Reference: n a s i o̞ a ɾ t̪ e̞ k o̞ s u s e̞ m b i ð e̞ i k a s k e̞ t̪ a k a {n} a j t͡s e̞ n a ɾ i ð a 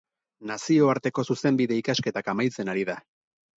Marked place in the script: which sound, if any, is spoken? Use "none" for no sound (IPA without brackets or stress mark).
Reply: m